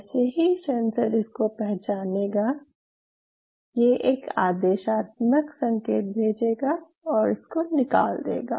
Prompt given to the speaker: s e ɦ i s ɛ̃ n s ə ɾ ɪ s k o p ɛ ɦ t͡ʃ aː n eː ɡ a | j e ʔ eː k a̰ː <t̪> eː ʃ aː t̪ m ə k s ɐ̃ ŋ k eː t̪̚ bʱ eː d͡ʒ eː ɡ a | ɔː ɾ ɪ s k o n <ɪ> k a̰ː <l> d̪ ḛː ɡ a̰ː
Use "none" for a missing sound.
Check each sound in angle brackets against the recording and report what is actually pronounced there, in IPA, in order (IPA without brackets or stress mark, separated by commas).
d̪, ɪ, l